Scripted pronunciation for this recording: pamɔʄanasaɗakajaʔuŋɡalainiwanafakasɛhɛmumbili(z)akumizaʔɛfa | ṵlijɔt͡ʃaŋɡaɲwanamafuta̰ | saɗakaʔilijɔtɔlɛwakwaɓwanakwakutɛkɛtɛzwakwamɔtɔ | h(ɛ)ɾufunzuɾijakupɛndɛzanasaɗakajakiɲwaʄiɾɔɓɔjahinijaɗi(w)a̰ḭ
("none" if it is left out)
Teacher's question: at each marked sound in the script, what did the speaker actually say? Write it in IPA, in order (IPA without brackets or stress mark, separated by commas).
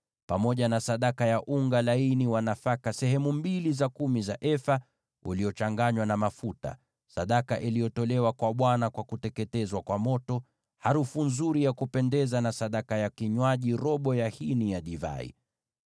z, a, v